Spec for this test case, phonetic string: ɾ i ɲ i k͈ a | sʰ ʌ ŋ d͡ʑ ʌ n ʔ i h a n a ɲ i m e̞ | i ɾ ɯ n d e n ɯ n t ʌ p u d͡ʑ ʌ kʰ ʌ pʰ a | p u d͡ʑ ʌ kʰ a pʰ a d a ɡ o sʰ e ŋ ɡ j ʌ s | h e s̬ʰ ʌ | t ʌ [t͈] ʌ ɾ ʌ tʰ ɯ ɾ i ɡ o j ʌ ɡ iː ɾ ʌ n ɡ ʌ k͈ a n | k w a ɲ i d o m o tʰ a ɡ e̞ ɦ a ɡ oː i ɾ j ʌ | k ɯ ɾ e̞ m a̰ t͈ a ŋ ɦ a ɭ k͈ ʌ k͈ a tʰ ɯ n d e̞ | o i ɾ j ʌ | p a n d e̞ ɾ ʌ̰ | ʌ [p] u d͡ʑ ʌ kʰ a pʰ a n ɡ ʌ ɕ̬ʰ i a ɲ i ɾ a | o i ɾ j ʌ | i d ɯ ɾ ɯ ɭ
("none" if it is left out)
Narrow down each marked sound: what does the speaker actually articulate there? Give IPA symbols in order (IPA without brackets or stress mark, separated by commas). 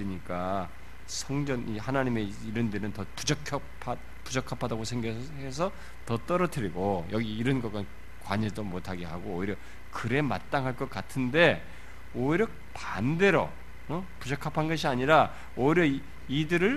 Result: t͈, p